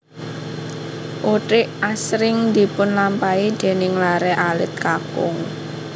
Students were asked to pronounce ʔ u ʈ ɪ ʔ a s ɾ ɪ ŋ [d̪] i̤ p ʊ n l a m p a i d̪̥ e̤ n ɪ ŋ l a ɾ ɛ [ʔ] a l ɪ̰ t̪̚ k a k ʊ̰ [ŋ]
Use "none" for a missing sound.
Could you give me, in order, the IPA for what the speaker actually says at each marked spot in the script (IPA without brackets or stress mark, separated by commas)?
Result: d̪, ʔ, ŋ